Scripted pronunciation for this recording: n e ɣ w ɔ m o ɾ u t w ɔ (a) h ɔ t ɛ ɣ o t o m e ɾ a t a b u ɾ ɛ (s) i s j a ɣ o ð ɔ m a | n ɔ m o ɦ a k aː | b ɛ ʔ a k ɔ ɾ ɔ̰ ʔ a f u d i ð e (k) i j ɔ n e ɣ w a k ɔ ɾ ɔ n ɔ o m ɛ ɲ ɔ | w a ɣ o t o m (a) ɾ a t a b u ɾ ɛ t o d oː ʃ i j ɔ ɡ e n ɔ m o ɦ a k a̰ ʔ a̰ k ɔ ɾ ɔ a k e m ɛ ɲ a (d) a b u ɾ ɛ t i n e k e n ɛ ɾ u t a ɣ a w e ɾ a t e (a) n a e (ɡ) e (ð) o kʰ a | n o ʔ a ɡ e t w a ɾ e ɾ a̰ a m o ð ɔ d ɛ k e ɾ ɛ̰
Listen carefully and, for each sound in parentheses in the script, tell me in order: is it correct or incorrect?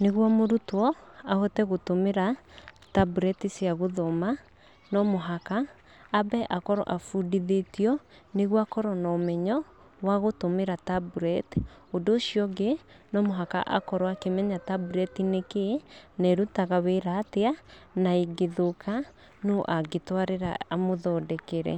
correct, incorrect, incorrect, incorrect, incorrect, correct, correct, correct

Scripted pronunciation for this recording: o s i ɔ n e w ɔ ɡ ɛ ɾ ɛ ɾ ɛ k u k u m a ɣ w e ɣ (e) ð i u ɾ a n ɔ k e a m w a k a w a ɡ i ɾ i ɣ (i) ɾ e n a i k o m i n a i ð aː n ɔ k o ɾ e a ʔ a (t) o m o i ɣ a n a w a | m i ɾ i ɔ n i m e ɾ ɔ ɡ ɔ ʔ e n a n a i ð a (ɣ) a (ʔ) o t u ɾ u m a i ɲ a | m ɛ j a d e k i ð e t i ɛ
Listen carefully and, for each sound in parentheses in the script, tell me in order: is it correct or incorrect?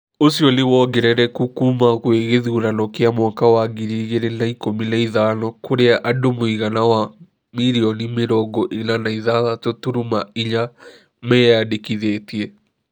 correct, incorrect, incorrect, incorrect, incorrect

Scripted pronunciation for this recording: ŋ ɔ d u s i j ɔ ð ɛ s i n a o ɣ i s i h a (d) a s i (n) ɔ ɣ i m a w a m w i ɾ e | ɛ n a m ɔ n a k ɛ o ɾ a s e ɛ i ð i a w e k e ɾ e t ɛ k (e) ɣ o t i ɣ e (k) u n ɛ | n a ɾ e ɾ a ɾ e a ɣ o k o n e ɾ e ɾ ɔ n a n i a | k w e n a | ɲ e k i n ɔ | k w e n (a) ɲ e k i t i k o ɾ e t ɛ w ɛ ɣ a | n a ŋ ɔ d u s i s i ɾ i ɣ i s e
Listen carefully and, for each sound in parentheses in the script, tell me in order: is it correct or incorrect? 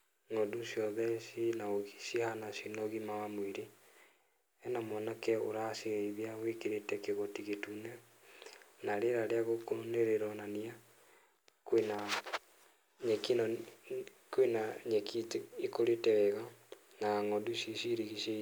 incorrect, correct, correct, incorrect, correct

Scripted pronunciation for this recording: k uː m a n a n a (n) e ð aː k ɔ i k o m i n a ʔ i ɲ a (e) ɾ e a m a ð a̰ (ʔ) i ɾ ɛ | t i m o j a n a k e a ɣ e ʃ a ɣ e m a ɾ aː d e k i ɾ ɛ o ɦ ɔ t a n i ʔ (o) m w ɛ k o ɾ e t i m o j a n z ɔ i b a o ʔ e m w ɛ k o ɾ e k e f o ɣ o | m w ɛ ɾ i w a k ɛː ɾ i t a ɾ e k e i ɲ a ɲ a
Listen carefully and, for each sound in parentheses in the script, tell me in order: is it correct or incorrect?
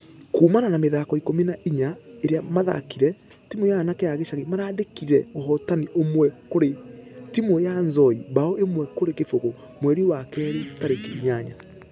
incorrect, correct, incorrect, correct

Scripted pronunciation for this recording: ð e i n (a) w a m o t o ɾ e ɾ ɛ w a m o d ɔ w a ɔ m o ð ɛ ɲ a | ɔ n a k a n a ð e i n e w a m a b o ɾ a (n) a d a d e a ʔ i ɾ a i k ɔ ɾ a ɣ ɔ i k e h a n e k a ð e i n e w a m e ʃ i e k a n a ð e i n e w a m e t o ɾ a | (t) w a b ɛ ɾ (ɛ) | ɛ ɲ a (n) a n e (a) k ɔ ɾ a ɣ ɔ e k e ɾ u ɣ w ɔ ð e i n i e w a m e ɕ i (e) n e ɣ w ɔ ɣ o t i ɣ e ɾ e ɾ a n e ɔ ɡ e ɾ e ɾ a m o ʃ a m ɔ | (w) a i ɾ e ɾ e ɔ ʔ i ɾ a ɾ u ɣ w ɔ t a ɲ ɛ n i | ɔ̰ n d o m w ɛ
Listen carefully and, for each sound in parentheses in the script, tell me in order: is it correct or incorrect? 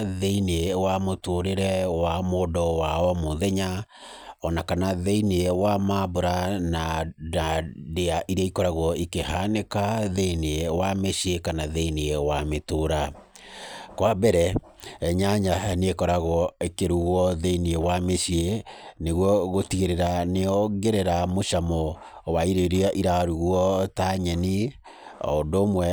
incorrect, correct, incorrect, correct, incorrect, incorrect, correct, correct

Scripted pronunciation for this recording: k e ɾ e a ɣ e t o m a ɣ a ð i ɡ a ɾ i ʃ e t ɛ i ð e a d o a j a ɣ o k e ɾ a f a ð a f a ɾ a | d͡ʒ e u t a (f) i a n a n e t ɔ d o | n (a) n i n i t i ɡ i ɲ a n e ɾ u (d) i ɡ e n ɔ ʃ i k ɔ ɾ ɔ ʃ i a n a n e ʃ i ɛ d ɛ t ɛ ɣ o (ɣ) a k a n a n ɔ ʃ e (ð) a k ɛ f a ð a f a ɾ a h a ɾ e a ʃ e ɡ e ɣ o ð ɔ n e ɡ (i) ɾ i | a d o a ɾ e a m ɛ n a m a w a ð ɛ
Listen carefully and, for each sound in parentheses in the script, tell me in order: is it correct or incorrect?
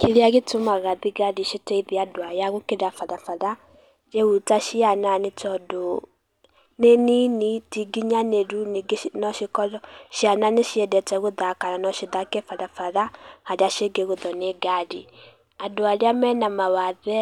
incorrect, incorrect, incorrect, incorrect, correct, incorrect

